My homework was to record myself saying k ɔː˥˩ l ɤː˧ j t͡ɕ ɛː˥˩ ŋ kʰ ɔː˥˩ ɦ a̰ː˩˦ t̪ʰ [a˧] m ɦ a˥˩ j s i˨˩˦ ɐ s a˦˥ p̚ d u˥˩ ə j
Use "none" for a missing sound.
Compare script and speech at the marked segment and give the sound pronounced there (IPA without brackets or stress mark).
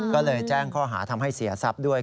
a˧